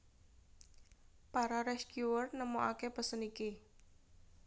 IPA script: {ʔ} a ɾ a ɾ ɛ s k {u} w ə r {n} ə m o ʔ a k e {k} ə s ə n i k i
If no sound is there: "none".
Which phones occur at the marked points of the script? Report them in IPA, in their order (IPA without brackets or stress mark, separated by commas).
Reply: p, u, n, p